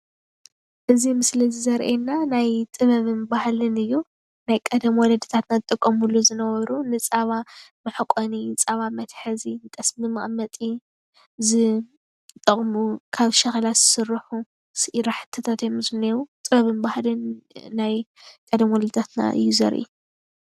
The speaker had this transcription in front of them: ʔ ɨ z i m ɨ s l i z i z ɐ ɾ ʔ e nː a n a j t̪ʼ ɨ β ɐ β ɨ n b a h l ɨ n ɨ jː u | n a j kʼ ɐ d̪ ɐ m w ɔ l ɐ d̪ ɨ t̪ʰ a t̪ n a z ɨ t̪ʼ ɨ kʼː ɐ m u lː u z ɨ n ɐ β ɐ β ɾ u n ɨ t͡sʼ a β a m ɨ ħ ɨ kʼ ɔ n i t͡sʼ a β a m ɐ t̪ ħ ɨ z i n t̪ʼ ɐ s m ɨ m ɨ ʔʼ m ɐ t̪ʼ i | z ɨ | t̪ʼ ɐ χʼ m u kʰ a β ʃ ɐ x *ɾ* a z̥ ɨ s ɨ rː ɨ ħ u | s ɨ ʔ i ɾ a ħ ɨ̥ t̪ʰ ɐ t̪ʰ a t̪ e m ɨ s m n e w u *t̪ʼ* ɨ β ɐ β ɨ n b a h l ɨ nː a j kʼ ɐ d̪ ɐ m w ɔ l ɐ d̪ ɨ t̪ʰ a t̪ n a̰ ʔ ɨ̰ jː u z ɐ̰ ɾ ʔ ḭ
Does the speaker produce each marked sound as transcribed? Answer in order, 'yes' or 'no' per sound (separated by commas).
no, yes